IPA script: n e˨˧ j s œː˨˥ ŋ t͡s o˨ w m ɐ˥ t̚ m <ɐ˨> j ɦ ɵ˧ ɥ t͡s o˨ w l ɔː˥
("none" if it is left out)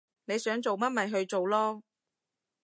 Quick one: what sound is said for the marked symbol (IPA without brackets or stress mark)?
ɐ˨